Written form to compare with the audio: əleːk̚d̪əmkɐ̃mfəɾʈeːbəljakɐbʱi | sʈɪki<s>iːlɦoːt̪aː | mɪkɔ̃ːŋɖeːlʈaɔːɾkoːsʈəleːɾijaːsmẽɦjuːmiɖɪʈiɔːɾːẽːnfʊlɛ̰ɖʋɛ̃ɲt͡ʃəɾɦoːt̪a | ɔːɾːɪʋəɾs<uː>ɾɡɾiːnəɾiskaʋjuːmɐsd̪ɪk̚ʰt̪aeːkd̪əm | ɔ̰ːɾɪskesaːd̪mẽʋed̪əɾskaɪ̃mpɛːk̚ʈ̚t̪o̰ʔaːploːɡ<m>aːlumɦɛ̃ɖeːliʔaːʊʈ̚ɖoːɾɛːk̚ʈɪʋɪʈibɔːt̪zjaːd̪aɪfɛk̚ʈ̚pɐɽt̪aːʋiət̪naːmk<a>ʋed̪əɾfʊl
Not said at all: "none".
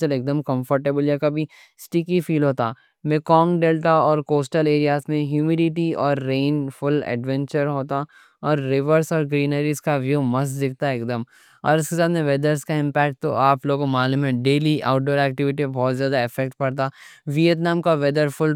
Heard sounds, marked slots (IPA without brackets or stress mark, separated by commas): f, ɔː, m, a